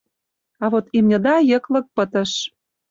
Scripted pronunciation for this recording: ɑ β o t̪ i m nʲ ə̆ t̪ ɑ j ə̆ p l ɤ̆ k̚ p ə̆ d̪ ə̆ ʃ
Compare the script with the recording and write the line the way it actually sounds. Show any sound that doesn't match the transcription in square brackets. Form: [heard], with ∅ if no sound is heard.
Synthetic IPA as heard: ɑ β o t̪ i m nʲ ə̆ [d̪] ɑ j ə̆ [k] l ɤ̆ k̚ p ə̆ [t̪] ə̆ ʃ